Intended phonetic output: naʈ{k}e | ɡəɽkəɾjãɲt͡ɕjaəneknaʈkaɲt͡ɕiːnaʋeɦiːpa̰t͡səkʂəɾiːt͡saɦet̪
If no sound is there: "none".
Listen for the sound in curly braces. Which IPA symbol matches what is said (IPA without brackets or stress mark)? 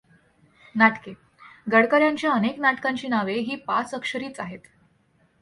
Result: k